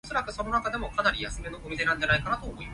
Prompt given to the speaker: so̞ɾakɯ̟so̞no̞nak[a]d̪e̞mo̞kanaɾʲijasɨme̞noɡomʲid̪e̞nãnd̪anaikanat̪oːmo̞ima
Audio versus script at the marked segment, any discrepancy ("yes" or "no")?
no